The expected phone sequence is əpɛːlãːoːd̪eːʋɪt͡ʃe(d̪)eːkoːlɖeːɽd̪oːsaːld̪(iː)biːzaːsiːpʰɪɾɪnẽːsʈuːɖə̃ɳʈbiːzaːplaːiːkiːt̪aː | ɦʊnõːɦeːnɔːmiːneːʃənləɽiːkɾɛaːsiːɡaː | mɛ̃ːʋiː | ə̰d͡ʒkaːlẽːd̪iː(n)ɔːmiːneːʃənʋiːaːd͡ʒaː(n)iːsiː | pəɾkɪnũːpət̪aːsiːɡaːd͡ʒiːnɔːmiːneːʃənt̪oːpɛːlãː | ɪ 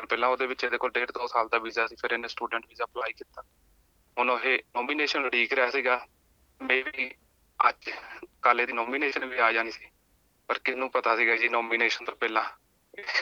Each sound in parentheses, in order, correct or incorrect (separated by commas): correct, incorrect, correct, correct